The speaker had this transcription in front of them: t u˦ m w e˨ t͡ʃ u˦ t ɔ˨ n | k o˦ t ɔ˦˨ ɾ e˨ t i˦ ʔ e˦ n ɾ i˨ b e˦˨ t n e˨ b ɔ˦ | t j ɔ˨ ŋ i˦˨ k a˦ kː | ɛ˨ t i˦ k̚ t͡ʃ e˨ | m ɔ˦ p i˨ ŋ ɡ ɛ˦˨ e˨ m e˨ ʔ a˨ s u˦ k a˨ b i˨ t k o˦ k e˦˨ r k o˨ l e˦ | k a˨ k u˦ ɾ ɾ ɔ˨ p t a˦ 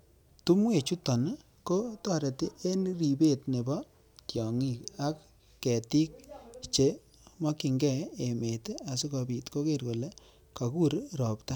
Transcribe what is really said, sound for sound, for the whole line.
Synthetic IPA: t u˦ m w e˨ t͡ʃ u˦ t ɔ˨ n | k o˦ t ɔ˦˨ ɾ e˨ t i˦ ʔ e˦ n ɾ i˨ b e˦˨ t n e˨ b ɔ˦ | t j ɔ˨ ŋ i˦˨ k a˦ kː | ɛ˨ t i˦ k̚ t͡ʃ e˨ | m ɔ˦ k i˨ ŋ ɡ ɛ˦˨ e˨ m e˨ t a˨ s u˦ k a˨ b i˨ t k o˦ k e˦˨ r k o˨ l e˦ | k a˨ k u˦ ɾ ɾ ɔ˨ p t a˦